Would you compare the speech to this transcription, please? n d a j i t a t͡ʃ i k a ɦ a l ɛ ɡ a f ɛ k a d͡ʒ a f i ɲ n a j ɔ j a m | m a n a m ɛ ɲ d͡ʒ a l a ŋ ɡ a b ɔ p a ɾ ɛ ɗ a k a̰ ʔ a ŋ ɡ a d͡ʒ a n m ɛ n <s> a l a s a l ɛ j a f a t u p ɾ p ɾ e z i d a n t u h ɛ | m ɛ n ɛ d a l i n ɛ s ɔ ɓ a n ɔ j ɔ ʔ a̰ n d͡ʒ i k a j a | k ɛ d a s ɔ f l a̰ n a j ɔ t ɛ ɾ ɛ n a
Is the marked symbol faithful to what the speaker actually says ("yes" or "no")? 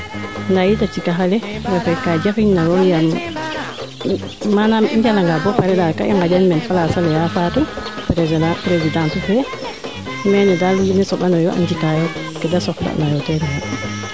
no